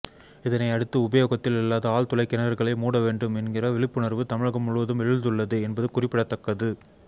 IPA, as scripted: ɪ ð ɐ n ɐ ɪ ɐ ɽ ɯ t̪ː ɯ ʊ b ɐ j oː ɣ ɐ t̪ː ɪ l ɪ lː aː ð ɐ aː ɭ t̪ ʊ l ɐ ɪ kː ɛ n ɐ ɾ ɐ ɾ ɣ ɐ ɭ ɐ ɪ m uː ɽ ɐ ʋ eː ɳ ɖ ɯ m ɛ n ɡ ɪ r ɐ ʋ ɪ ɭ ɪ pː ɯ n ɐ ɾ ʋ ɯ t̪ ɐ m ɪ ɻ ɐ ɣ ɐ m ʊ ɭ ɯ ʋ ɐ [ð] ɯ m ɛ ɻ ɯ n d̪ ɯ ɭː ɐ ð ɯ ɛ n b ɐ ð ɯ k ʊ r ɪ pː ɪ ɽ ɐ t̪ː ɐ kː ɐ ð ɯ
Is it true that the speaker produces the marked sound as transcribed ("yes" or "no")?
yes